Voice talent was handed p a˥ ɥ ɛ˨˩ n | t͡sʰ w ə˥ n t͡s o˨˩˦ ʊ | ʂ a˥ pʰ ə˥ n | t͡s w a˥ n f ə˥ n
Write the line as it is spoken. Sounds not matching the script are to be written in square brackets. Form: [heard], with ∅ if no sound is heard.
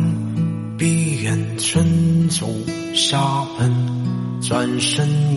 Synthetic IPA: p [i˥] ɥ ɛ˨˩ n | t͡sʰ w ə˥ n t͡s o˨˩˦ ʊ | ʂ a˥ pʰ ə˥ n | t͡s w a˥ n [ʂ] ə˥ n